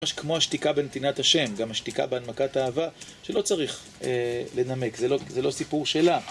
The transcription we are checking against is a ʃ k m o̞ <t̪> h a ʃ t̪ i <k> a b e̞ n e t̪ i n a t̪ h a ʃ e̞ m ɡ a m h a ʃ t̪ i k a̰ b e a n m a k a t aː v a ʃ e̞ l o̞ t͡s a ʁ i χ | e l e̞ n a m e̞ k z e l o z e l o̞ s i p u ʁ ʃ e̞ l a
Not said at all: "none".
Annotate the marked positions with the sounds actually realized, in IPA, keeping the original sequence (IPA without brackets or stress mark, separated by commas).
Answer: none, k